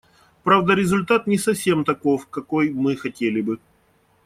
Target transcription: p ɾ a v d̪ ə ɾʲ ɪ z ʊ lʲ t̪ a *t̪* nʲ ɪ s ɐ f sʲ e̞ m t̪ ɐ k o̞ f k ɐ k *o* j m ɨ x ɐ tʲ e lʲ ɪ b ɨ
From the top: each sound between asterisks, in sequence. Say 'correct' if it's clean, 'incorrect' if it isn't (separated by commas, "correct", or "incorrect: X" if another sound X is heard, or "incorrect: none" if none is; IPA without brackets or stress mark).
correct, correct